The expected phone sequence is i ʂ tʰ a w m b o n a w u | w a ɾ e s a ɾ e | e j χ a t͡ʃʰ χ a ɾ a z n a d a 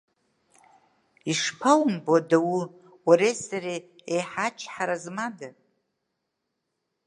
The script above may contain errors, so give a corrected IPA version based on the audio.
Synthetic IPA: i ʂ pʰ a w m b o d a w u | w a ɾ e s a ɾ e | e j ħ a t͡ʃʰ ħ a ɾ a z m a d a